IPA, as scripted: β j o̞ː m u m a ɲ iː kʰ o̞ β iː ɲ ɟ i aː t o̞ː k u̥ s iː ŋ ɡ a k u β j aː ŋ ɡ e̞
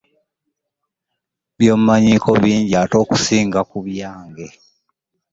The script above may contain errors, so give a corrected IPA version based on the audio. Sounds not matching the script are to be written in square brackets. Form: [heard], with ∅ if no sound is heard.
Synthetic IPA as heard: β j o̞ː m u m a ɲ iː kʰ o̞ β iː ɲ ɟ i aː t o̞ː k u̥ s iː ŋ ɡ a k u β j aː ŋ ɡ e̞